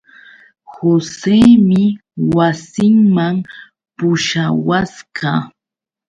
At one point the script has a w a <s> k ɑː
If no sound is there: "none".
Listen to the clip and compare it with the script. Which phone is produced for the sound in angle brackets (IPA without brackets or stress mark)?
s